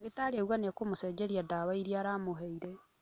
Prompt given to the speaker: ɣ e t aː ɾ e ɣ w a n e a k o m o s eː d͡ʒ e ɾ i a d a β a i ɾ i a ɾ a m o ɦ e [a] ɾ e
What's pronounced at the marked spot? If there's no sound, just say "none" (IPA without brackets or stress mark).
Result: i